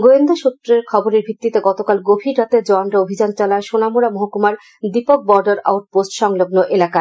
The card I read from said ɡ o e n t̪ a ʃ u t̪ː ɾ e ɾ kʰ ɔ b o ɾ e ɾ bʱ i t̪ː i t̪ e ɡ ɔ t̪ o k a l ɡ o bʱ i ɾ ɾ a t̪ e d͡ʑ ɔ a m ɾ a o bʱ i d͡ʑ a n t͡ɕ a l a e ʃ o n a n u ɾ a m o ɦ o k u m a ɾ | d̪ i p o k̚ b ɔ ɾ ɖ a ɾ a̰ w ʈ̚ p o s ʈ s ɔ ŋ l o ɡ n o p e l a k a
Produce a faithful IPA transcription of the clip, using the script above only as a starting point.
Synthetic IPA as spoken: ɡ o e n d̪ a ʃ u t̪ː ɾ e ɾ kʰ ɔ b o ɾ e ɾ bʱ i t̪ː i t̪ e ɡ ɔ t̪ o k a l ɡ o bʱ i ɾ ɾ a t̪ e d͡ʑ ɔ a n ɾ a o bʱ i d͡ʑ a n t͡ɕ a l a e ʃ o n a m u ɾ a m o ɦ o k u m a ɾ | d̪ i p o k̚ b ɔ ɾ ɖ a ɾ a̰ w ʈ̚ p o s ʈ ʃ ɔ ŋ l o ɡ n o ʔ e l a k a